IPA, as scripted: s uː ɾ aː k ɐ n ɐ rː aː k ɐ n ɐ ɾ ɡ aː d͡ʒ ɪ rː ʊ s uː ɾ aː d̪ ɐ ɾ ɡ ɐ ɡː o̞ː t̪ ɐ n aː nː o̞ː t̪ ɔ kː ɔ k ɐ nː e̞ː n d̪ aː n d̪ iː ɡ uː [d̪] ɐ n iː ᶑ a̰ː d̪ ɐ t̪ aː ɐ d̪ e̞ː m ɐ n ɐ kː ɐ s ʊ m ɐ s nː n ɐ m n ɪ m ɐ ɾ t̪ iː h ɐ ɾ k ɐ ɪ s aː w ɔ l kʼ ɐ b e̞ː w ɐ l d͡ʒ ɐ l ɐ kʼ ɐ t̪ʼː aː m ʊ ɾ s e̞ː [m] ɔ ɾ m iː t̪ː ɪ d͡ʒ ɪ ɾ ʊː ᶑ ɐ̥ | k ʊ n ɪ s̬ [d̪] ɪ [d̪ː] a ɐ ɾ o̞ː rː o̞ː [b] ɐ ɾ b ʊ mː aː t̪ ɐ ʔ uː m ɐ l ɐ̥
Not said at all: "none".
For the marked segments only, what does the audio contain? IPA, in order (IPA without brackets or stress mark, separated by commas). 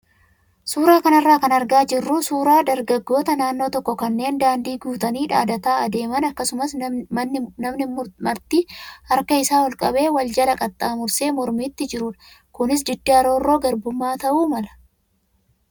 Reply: t̪, m, d̪, d̪ː, ɡ